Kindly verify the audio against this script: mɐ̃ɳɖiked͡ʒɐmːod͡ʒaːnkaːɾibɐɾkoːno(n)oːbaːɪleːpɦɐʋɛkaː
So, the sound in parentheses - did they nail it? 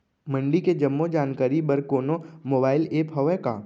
no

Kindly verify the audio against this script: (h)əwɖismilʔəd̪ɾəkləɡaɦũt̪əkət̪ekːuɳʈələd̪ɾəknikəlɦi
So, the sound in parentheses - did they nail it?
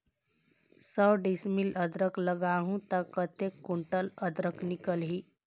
no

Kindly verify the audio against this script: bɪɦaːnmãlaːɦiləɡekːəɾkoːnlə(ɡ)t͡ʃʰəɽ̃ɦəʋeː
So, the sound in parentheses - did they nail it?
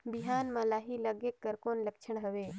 no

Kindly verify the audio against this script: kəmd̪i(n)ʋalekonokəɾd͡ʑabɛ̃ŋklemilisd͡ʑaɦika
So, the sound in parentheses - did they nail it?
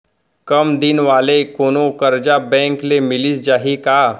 yes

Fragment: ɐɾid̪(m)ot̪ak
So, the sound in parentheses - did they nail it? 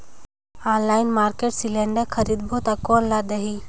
no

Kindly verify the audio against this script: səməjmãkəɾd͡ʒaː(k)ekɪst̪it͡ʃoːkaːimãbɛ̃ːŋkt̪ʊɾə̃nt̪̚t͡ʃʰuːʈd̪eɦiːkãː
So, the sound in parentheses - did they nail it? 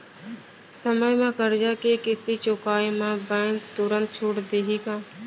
yes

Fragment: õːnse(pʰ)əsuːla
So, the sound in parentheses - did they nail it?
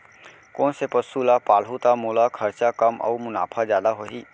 no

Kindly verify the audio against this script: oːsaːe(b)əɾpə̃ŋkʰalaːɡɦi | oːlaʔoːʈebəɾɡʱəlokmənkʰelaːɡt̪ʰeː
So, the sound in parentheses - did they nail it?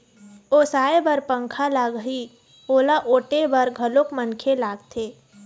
yes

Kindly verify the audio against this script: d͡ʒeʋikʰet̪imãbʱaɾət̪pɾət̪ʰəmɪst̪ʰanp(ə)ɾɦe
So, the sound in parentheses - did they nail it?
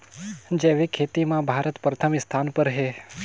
yes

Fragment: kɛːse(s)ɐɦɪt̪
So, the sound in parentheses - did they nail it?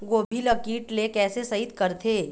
yes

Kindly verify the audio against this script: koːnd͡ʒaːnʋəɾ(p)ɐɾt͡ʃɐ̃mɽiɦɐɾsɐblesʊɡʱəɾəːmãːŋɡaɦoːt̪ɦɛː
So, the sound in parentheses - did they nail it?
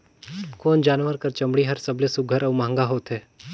no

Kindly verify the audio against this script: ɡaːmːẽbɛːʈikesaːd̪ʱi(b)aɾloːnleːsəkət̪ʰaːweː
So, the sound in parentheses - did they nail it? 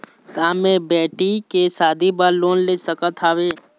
yes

